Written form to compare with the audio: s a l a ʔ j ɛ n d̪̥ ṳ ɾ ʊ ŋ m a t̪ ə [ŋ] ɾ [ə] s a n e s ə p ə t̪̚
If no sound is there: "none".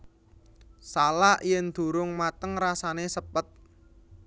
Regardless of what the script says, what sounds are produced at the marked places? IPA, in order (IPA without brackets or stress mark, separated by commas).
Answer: ŋ, a